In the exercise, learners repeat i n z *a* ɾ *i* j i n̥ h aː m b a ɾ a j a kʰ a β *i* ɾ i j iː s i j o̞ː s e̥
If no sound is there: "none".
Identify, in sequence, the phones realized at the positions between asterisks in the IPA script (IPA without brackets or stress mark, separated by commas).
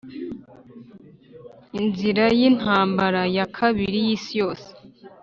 i, a, i